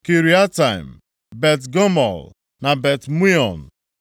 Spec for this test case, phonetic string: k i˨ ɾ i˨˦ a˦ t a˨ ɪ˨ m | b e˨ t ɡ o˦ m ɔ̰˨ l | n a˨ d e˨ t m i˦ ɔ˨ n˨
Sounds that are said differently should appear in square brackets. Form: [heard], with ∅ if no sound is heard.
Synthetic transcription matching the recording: k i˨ ɾ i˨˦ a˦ t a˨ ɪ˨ m | b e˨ t ɡ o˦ m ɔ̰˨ l | n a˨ [b] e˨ t m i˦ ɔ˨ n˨